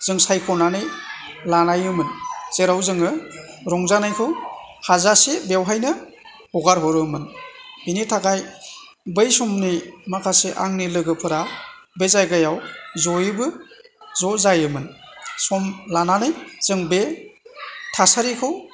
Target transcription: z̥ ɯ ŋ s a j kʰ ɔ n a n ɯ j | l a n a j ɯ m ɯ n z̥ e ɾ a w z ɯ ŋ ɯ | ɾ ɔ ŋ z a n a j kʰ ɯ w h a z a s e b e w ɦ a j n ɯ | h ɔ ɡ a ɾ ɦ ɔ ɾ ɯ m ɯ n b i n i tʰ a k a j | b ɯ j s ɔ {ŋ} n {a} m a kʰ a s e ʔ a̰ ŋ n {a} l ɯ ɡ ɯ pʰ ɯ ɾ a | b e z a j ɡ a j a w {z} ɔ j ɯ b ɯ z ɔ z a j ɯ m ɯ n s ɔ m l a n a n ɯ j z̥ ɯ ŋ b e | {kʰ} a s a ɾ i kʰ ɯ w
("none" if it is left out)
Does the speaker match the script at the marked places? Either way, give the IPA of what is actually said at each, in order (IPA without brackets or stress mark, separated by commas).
m, i, i, z, tʰ